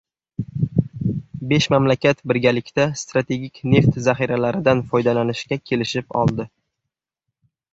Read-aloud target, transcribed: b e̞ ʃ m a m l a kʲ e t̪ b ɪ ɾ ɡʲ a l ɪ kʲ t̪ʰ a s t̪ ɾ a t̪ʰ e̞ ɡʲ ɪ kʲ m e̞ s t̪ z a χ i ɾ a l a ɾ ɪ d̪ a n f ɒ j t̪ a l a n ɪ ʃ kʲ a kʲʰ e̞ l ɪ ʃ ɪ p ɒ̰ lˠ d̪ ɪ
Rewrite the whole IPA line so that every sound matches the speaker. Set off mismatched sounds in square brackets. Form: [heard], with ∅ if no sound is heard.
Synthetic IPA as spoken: b e̞ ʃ m a m l a kʲ [a] t̪ b ɪ ɾ ɡʲ a l ɪ kʲ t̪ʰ a s t̪ ɾ a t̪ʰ e̞ ɡʲ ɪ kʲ [n] e̞ [f] t̪ z a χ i ɾ a l a ɾ ɪ d̪ a n f ɒ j [d̪] a l a n ɪ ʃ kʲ a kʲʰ e̞ l ɪ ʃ ɪ p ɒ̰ lˠ d̪ ɪ